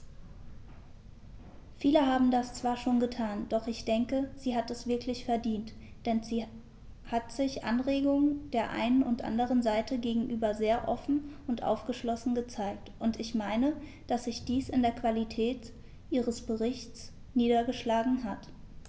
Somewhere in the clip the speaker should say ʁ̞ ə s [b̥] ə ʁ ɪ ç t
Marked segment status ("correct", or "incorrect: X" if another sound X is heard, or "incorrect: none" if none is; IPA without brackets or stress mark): correct